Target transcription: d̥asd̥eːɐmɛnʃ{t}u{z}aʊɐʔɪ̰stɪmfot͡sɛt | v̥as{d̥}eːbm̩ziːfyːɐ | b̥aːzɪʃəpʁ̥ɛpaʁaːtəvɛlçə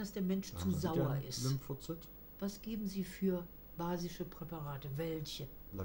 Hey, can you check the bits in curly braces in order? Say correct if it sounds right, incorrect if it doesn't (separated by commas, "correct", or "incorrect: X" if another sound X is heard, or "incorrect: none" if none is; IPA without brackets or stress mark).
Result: incorrect: t͡s, correct, incorrect: ɡ̥